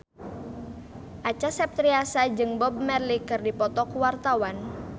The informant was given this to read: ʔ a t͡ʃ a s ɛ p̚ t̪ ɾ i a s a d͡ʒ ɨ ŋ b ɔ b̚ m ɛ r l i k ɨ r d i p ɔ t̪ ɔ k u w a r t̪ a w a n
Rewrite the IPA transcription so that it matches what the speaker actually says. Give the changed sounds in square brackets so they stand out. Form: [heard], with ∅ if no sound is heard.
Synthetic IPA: ʔ a t͡ʃ a s ɛ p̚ t̪ ɾ i a s a d͡ʒ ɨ ŋ b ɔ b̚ m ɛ r l i k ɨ r d i p ɔ t̪ ɔ k u w a r t̪ a w a n